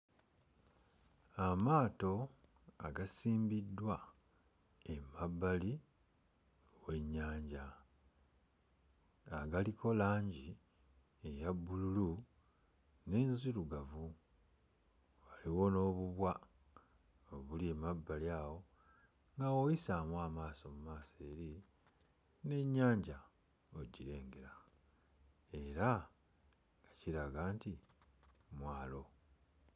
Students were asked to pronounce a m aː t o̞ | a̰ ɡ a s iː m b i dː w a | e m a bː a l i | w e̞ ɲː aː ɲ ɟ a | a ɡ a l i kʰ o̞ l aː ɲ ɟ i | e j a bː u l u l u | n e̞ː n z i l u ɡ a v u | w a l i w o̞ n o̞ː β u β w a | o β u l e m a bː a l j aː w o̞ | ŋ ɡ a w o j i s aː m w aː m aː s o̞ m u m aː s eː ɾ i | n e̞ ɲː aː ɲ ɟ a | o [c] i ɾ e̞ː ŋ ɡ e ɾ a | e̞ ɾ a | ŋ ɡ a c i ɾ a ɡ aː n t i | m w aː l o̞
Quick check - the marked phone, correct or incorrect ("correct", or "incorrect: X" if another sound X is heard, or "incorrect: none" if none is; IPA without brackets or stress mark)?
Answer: incorrect: ɟ